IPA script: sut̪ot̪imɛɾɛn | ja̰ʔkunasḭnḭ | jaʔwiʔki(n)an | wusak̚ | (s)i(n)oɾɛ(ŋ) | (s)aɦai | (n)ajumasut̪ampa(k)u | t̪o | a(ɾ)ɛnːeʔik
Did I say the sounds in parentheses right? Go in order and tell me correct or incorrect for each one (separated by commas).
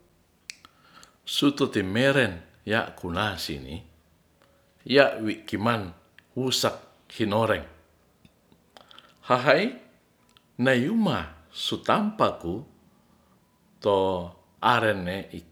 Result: incorrect, incorrect, correct, correct, incorrect, correct, correct, correct